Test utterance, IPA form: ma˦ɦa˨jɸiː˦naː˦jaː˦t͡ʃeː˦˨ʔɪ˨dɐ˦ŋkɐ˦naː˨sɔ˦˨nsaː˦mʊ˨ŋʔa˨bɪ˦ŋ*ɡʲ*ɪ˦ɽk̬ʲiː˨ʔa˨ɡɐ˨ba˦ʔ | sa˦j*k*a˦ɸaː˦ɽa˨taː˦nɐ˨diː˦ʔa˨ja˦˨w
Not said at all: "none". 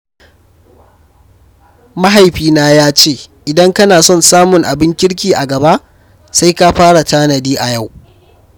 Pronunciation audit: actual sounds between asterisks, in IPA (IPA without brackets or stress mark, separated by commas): kʲ, k